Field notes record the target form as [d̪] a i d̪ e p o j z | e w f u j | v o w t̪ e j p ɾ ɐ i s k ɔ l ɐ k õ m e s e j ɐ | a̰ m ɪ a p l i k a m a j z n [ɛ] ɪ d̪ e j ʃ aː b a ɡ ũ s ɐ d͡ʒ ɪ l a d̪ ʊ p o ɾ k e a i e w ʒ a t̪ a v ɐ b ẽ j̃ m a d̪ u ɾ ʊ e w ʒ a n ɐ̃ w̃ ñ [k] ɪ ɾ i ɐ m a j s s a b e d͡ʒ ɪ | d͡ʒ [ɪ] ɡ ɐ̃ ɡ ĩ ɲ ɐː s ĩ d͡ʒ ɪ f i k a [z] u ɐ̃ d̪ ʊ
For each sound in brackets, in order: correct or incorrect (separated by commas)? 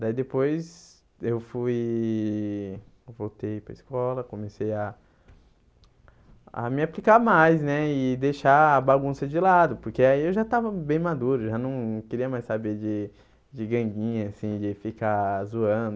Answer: correct, correct, correct, correct, correct